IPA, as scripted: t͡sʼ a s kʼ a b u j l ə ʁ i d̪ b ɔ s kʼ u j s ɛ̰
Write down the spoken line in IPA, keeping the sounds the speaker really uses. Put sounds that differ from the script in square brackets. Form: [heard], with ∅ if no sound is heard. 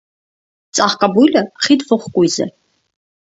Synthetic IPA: t͡sʼ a [χ] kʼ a b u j l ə [χ] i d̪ [v] ɔ [χ] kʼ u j [z] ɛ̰

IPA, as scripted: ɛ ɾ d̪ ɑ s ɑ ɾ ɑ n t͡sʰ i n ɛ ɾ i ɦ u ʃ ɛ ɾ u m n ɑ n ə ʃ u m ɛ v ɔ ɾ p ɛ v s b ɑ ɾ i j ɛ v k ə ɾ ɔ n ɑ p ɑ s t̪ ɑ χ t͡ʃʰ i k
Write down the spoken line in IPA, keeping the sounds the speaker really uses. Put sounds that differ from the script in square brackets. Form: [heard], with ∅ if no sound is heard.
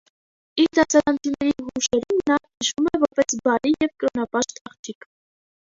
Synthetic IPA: [i] ɾ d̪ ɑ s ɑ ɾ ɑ n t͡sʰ i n ɛ ɾ i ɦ u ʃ ɛ ɾ u m n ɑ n ə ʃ u m ɛ v ɔ ɾ p ɛ [∅] s b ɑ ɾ i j ɛ v k ə ɾ ɔ n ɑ p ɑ [ʃ] t̪ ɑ χ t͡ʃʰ i k

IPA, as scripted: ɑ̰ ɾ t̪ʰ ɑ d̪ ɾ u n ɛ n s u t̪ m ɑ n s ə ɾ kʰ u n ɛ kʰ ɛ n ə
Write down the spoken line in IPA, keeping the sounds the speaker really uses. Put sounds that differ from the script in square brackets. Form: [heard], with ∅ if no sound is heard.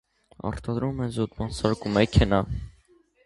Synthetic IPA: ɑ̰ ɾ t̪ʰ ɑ d̪ ɾ u [m] ɛ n [z] u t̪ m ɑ n s [ɑ] ɾ [k] u [m] ɛ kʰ ɛ n [ɑ]

